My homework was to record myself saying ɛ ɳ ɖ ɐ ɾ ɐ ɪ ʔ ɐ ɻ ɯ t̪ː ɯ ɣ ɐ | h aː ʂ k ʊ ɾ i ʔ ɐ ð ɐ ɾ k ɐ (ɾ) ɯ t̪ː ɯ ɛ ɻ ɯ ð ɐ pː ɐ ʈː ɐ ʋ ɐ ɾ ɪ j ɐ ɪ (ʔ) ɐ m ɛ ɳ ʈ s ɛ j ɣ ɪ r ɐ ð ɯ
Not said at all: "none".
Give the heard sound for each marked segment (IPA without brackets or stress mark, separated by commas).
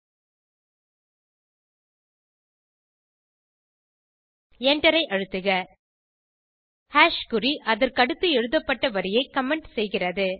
ɽ, k